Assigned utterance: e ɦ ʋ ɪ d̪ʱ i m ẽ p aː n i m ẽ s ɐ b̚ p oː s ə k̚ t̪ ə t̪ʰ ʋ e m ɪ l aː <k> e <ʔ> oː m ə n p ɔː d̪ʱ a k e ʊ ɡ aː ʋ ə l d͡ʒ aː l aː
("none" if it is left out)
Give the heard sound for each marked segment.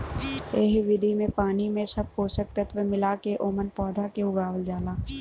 k, ʔ

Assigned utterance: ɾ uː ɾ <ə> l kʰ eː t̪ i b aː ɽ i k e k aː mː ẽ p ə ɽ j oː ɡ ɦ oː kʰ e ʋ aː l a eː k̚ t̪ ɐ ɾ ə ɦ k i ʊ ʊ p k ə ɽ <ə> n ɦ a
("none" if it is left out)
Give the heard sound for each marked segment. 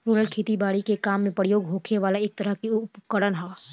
ə, ə

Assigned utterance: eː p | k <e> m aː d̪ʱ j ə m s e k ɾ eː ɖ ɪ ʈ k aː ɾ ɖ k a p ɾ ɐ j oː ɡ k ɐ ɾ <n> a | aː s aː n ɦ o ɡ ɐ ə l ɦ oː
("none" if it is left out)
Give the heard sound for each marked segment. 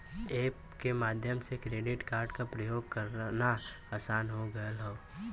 e, n

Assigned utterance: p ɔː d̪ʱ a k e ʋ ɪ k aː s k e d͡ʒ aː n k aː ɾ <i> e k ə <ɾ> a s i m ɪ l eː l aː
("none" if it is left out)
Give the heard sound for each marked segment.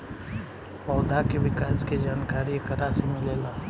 i, ɾ

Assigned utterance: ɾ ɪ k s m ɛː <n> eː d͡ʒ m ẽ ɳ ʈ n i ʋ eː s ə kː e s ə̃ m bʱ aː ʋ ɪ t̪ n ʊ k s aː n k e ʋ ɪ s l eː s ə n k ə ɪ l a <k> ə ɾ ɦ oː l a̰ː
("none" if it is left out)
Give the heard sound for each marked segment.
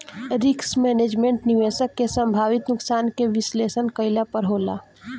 n, p

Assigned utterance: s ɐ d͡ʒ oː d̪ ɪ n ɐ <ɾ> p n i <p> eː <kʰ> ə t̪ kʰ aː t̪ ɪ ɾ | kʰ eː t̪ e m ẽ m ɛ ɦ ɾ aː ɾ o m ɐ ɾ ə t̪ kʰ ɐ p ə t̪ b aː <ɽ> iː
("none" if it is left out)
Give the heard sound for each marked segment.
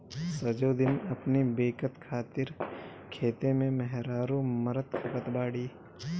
none, b, k, ɽ

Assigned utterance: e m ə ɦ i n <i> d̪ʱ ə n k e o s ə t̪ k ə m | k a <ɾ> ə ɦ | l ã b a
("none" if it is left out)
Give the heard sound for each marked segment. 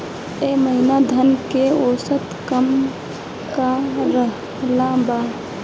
a, ɾ

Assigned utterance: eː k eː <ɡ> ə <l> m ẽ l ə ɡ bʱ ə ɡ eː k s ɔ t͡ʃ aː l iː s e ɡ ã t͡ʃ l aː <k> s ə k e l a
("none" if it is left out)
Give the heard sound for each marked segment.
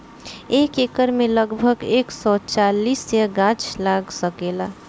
k, ɾ, ɡ

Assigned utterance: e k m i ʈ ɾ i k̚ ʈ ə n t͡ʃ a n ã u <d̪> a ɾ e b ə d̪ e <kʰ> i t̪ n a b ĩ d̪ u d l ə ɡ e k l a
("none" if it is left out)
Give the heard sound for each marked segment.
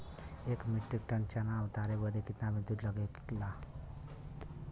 t̪, k

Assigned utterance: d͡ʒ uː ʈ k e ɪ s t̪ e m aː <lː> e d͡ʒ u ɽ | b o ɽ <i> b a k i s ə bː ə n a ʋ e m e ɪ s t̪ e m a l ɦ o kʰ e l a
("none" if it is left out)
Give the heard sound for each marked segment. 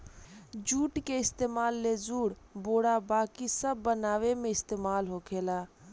lː, a

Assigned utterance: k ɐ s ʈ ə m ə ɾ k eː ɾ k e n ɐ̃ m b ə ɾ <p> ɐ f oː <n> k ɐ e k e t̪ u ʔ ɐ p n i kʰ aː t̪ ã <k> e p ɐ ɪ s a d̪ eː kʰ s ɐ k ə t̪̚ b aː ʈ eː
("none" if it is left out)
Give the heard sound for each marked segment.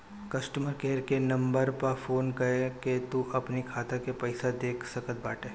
p, n, k

